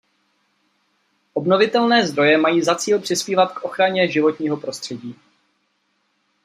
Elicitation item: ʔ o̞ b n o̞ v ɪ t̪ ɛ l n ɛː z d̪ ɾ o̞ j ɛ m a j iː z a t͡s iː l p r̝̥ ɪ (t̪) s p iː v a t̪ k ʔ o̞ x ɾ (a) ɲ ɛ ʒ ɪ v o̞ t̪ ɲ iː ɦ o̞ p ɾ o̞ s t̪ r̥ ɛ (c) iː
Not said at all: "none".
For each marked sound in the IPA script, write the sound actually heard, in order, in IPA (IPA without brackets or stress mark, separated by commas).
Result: none, a, ɟ